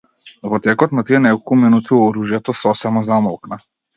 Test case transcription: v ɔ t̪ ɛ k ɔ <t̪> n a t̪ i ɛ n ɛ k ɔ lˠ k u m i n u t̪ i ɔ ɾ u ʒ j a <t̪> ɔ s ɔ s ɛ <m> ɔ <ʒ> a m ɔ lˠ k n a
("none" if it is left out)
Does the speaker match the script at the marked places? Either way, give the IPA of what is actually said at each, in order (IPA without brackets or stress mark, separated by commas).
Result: t̪, t̪, m, z